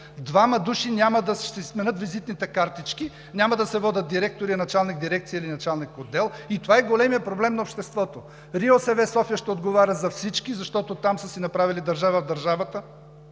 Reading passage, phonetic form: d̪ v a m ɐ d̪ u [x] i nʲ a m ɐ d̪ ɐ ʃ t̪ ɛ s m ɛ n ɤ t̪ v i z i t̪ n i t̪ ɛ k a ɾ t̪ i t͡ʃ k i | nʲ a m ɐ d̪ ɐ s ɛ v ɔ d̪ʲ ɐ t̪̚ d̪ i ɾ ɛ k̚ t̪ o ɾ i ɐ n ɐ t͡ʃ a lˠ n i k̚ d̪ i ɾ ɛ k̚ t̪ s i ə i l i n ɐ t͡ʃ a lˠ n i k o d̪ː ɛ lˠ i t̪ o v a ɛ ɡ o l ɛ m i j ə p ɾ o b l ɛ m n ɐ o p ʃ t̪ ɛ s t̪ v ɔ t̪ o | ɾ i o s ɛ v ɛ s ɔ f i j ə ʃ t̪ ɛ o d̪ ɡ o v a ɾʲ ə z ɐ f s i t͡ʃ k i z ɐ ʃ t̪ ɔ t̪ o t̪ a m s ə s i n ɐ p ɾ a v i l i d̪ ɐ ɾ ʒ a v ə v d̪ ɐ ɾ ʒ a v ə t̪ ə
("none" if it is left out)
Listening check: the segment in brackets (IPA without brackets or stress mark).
ʃ